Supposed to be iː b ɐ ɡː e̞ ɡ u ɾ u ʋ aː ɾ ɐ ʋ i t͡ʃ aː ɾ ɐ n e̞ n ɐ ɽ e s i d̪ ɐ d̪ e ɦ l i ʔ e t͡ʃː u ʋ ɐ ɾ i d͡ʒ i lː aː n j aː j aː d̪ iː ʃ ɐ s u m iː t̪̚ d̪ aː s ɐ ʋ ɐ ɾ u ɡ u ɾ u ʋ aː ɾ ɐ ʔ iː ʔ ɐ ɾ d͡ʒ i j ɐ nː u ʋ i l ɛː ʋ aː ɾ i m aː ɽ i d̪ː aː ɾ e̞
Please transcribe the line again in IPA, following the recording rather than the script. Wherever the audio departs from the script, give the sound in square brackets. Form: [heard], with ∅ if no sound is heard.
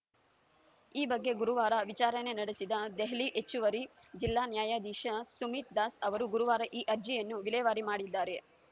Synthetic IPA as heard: iː b ɐ ɡː e̞ ɡ u ɾ u ʋ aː ɾ ɐ ʋ i t͡ʃ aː ɾ ɐ n e̞ n ɐ ɽ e s i d̪ ɐ d̪ e ɦ l i ʔ e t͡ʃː u ʋ ɐ ɾ i d͡ʒ i lː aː n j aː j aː d̪ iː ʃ ɐ s u m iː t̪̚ d̪ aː s ɐ ʋ ɐ ɾ u ɡ u ɾ u ʋ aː ɾ ɐ ʔ iː ʔ ɐ ɾ d͡ʒ i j ɐ nː u ʋ i l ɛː ʋ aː ɾ i m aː ɽ i d̪ː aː ɾ e̞

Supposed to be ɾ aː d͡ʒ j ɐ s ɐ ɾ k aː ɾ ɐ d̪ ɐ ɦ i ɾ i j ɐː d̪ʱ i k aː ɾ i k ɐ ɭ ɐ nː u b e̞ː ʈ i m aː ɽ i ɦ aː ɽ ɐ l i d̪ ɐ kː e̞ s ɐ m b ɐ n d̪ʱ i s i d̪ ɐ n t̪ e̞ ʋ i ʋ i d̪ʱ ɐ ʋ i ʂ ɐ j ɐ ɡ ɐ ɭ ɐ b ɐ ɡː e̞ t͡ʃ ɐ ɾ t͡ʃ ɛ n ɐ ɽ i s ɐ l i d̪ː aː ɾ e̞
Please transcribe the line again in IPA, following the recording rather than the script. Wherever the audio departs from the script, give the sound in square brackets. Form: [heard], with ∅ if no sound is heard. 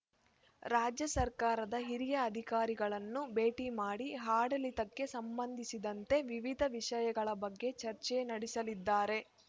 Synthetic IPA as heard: ɾ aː d͡ʒ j ɐ s ɐ ɾ k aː ɾ ɐ d̪ ɐ ɦ i ɾ i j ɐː d̪ʱ i k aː ɾ i [ɡ] ɐ ɭ ɐ nː u b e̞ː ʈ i m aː ɽ i ɦ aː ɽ ɐ l i [t̪] ɐ kː e̞ s ɐ m b ɐ n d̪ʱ i s i d̪ ɐ n t̪ e̞ ʋ i ʋ i d̪ʱ ɐ ʋ i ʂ ɐ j ɐ ɡ ɐ ɭ ɐ b ɐ ɡː e̞ t͡ʃ ɐ ɾ t͡ʃ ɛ n ɐ ɽ i s ɐ l i d̪ː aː ɾ e̞

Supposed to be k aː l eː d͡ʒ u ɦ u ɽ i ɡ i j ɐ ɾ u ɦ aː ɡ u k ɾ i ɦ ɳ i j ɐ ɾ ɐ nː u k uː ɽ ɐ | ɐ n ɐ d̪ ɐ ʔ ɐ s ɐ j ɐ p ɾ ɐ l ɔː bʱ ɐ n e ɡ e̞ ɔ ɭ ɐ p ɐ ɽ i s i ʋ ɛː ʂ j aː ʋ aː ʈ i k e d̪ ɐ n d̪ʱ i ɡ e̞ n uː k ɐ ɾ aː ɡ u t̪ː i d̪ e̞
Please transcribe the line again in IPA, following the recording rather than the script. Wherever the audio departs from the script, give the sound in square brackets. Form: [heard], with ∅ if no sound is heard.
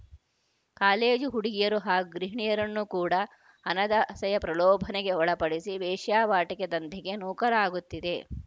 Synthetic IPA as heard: k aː l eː d͡ʒ u ɦ u ɽ i ɡ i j ɐ ɾ u ɦ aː ɡ u [ɡ] ɾ i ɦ ɳ i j ɐ ɾ ɐ nː u k uː ɽ ɐ | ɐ n ɐ d̪ ɐ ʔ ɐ s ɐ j ɐ p ɾ ɐ l ɔː bʱ ɐ n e ɡ e̞ ɔ ɭ ɐ p ɐ ɽ i s i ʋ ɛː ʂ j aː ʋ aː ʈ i k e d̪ ɐ n d̪ʱ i ɡ e̞ n uː k ɐ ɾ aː ɡ u t̪ː i d̪ e̞

